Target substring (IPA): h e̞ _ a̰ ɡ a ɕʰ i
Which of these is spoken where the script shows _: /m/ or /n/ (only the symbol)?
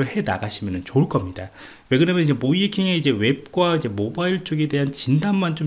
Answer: n